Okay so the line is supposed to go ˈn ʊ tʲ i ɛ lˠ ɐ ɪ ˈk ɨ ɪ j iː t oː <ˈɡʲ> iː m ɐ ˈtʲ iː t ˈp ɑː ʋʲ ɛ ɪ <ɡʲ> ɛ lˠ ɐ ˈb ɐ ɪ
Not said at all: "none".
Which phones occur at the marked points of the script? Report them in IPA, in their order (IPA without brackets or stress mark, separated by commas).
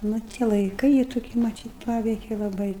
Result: kʲ, kʲ